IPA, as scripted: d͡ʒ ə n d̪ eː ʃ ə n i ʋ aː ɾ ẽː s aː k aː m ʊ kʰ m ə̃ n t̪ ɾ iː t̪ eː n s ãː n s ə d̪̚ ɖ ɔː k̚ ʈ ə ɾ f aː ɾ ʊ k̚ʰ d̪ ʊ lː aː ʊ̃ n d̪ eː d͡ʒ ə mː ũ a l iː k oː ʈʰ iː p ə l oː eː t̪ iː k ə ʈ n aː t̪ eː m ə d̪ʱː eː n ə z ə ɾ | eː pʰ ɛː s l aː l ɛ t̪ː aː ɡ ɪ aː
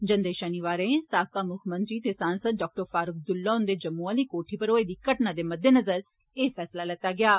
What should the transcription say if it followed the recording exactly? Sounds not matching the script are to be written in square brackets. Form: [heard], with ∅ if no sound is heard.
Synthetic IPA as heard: d͡ʒ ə n d̪ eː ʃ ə n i ʋ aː ɾ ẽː s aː k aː m ʊ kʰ m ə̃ n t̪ ɾ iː t̪ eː [∅] s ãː n s ə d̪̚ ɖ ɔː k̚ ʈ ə ɾ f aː ɾ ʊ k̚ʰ d̪ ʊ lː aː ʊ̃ n d̪ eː d͡ʒ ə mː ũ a l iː k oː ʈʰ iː p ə [ɾ] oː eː [d̪] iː k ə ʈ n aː [d̪] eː m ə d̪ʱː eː n ə z ə ɾ | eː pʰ ɛː s l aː l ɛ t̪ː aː ɡ ɪ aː